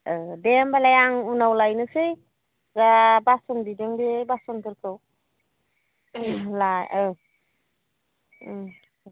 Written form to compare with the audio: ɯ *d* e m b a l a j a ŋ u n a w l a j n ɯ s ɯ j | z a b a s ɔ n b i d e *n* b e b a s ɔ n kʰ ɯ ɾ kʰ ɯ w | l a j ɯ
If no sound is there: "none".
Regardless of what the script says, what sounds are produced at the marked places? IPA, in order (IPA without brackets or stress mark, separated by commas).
d, ŋ